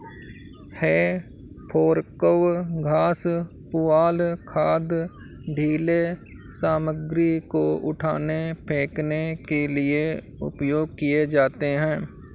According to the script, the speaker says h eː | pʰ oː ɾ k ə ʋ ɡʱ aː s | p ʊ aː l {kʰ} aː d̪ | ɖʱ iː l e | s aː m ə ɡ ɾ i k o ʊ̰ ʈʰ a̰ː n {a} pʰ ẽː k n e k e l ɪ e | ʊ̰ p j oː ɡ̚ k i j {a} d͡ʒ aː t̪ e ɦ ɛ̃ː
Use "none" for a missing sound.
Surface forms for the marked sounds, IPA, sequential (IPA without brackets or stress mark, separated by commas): kʰ, e, e